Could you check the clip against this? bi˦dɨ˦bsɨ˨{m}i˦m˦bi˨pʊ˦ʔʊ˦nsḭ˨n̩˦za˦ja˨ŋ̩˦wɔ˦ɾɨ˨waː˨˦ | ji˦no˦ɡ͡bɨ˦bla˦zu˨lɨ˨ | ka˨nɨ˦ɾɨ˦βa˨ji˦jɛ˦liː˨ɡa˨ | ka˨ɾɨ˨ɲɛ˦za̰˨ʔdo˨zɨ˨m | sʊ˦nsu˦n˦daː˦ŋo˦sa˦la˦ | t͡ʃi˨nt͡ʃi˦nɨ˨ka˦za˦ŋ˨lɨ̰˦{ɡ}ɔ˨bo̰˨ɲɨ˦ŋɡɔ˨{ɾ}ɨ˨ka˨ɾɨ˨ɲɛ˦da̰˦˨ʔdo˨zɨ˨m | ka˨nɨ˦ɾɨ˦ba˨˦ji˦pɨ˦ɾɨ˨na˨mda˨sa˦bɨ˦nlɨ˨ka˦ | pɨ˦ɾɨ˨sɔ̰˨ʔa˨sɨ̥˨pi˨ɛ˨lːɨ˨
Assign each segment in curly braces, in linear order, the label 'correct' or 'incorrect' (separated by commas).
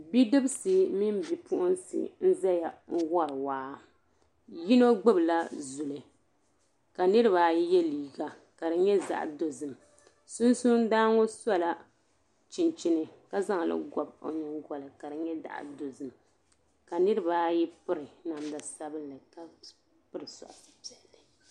correct, correct, incorrect